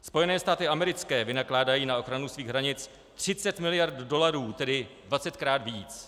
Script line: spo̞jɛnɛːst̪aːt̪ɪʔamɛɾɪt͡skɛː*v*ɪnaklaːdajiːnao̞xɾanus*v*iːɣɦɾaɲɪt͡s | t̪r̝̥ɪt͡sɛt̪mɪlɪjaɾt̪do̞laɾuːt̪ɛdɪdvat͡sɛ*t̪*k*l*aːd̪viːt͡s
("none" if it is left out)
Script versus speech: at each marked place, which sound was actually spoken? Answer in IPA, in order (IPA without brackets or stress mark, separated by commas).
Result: v, v, t̪, ɾ